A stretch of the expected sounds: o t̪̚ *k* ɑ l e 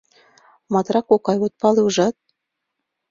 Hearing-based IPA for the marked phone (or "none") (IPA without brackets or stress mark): p